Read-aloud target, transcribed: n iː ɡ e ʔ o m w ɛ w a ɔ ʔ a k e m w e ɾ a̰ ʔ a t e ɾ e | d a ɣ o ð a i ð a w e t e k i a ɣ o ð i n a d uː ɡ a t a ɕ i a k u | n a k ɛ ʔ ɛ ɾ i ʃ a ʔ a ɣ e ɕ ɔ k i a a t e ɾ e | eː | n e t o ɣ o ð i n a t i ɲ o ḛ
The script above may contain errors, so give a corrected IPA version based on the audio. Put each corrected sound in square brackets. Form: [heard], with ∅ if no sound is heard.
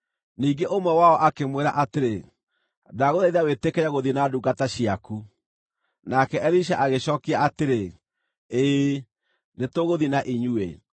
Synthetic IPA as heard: n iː ɡ e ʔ o m w ɛ w a ɔ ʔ a k e m w e ɾ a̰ ʔ a t e ɾ e | d a ɣ o ð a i ð a w e t e k [ɛ] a ɣ o ð i n a d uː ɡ a t a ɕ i a k u | n a k ɛ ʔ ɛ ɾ i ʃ a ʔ a ɣ e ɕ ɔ k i a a t e ɾ e | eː | n e t o ɣ o ð i n a [ʔ] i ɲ [u] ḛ

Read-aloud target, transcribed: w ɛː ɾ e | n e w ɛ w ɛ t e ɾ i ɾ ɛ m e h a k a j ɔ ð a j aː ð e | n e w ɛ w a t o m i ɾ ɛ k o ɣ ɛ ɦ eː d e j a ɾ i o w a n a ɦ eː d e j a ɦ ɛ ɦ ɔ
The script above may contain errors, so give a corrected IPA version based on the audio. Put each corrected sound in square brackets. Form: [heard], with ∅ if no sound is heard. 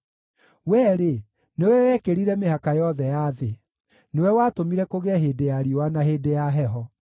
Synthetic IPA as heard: w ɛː ɾ e | n e w ɛ w ɛ [k] e ɾ i ɾ ɛ m e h a k a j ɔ ð [ɛ] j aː ð e | n e w ɛ w a t o m i ɾ ɛ k o ɣ ɛ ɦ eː d e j a ɾ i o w a n a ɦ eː d e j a ɦ ɛ ɦ ɔ

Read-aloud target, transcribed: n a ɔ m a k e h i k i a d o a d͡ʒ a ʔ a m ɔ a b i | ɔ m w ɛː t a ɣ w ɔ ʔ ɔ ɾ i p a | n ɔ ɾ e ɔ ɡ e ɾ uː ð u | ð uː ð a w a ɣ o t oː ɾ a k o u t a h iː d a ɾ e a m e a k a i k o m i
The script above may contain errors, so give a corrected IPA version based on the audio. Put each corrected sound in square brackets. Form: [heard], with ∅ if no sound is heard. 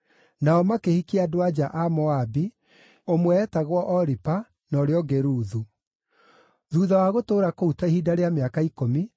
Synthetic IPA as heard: n a ɔ m a k e h i k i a d o a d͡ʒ a ʔ a m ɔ a b i | [o] m w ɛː t a ɣ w ɔ ʔ ɔ ɾ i p a | n ɔ ɾ e ɔ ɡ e ɾ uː ð u | ð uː ð a w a ɣ o t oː ɾ a k o u t a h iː d a ɾ e a m e a k a i k o m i

